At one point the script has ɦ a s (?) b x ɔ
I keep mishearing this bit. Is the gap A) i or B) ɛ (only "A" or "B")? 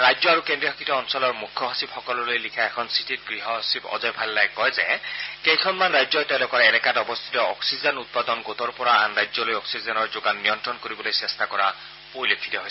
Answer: A